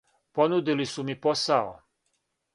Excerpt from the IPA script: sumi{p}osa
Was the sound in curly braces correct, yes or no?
yes